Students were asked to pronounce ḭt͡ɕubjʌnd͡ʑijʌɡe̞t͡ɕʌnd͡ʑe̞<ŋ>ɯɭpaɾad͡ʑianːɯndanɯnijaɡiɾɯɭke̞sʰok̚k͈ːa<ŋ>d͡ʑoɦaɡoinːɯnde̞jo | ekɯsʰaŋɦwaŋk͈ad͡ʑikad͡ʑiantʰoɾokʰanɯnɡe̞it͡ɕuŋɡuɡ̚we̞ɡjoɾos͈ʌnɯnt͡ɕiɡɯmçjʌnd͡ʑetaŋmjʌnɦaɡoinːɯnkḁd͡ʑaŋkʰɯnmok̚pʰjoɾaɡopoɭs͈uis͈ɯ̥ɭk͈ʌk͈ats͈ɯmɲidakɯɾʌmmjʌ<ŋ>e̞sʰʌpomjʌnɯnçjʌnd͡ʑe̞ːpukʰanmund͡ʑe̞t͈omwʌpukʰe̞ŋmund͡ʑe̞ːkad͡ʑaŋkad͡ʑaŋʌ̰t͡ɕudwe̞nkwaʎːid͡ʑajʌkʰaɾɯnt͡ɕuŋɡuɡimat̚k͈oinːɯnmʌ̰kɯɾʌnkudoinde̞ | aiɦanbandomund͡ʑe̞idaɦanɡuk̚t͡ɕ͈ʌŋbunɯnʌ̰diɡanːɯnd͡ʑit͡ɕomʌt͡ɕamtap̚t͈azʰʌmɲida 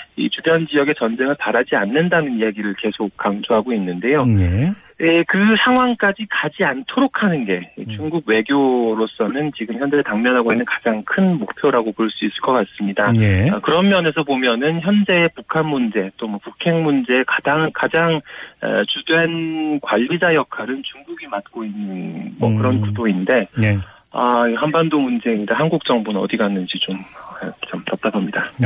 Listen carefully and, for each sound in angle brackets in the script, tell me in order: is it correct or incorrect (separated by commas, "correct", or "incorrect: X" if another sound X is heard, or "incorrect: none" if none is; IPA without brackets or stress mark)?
correct, correct, incorrect: n